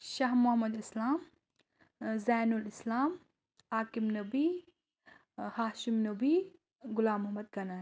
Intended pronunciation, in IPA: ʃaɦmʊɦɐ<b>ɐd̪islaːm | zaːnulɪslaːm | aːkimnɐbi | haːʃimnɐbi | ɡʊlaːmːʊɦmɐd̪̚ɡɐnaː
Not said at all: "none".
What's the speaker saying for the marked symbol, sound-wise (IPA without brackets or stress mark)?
m